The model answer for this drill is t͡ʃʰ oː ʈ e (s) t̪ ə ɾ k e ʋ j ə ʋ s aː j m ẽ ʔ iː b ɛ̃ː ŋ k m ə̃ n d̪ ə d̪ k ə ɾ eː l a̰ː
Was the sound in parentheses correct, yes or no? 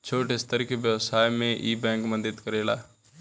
yes